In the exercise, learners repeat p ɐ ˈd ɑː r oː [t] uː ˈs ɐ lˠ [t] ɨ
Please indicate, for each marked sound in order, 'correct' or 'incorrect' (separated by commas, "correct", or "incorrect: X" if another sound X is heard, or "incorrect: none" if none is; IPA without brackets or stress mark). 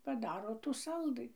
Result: correct, incorrect: d